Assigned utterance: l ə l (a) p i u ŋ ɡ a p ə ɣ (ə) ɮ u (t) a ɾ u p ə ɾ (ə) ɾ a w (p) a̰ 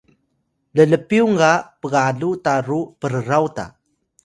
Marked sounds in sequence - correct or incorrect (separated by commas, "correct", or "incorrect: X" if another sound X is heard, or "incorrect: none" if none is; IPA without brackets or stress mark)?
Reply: incorrect: ə, incorrect: a, correct, correct, incorrect: t